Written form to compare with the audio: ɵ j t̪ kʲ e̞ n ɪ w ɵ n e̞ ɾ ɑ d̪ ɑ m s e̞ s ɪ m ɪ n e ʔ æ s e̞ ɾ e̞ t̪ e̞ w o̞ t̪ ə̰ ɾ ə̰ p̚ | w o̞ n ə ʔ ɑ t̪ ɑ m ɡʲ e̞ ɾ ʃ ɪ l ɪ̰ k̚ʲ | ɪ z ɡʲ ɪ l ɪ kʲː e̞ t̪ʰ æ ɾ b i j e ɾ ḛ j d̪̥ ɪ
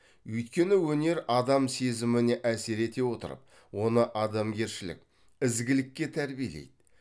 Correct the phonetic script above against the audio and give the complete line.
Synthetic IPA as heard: ɵ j t̪ kʲ e̞ n ɪ w ɵ n e̞ ɾ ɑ d̪ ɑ m s e̞ z ɪ m ɪ n e ʔ æ s e̞ ɾ e̞ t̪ e̞ w o̞ t̪ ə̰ ɾ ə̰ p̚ | w o̞ n ə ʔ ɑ d̪ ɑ m ɡʲ e̞ ɾ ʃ ɪ l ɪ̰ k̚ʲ | ɪ z ɡʲ ɪ l ɪ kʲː e̞ t̪ʰ æ ɾ b i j e l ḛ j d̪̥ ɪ

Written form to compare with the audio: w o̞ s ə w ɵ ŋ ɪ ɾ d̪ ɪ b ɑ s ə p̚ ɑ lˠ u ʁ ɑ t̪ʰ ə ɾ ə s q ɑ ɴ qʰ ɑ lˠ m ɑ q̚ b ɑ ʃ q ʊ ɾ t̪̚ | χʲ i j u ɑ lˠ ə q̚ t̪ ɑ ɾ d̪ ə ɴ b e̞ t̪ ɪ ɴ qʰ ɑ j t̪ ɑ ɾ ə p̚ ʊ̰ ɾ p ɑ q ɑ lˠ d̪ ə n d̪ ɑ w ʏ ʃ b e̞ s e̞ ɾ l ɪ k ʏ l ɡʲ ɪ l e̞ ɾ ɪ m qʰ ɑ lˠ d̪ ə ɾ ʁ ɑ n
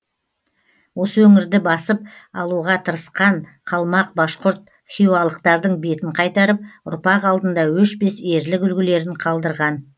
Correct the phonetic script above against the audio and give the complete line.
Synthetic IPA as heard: w o̞ s ə w ɵ ŋ ɪ ɾ d̪ ɪ b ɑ s ə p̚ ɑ lˠ u ʁ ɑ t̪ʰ ə ɾ ə s q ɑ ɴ qʰ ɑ lˠ m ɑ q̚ b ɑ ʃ q ʊ ɾ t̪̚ | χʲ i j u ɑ lˠ ə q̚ t̪ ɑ ɾ d̪ ə ɴ b e̞ t̪ ɪ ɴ qʰ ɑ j t̪ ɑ ɾ ə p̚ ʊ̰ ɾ p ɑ q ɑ lˠ d̪ ə n d̪ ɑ w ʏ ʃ b e̞ s e̞ ɾ l ɪ k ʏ l ɡʲ ɪ l e̞ ɾ ɪ ɴ qʰ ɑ lˠ d̪ ə ɾ ʁ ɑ n

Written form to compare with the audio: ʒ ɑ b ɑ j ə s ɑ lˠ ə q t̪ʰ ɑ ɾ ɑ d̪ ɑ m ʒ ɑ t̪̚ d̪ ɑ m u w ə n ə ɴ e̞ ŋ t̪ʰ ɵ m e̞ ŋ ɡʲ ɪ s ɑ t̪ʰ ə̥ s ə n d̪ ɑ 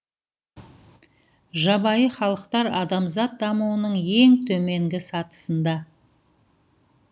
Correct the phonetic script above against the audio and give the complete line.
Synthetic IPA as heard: ʒ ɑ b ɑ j ə χ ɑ lˠ ə q t̪ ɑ ɾ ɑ d̪ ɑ m z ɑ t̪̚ d̪ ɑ m u w ə n ə ɴ e̞ ŋ t̪ʰ ɵ m e̞ ŋ ɡʲ ɪ s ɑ t̪ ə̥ s ə n d̪ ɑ

